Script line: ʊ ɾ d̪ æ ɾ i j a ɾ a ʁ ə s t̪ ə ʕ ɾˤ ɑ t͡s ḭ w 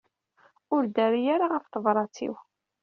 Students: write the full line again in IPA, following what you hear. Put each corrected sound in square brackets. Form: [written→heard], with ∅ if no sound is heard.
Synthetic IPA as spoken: ʊ ɾ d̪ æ ɾ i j a ɾ a ʁ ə [s→f] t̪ ə [ʕ→v] ɾˤ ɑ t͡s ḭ w